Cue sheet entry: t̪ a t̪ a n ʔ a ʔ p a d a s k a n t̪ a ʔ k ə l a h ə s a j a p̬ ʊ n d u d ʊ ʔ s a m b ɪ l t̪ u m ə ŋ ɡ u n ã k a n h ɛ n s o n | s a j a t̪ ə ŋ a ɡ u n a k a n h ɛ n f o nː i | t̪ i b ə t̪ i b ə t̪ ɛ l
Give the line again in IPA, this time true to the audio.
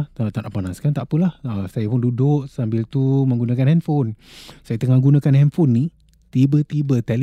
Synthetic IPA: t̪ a t̪ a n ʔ a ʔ p a n a s k a n t̪ a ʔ p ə l a h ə s a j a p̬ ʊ n d u d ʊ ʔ s a m b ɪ l t̪ u m ə ŋ ɡ u n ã k a n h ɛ n f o n | s a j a t̪ ə ŋ a ɡ u n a k a n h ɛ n f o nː i | t̪ i b ə t̪ i b ə t̪ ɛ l